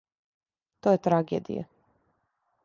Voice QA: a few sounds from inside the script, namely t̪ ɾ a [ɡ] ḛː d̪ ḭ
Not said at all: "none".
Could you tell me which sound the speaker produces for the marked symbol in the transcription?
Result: ɡ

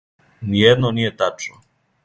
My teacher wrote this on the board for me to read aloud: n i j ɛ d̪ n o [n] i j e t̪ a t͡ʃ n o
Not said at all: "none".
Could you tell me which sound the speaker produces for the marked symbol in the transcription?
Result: n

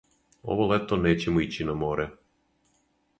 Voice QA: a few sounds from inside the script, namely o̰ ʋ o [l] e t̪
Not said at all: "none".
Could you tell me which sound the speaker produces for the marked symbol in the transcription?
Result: l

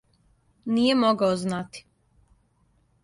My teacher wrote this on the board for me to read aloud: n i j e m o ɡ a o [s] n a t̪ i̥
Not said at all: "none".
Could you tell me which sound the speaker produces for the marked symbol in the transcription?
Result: z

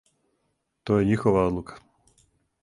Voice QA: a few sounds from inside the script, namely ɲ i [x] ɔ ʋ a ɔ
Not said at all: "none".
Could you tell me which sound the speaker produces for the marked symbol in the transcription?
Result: x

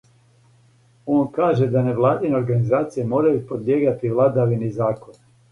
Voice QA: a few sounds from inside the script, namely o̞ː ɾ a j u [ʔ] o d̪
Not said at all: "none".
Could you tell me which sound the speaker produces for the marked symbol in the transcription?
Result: p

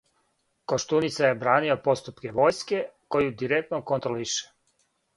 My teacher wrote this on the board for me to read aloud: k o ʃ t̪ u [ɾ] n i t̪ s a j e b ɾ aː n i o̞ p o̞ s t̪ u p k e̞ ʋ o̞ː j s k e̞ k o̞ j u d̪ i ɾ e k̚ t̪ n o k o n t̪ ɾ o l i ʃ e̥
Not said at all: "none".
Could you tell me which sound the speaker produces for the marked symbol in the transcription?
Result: none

